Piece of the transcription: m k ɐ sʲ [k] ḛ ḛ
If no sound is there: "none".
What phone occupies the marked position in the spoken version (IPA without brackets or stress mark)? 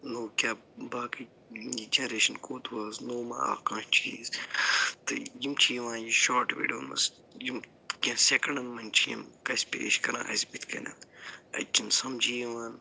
p